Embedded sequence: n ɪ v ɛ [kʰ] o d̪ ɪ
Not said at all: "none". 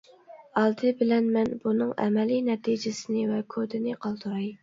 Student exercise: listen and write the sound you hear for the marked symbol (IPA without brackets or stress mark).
kʰ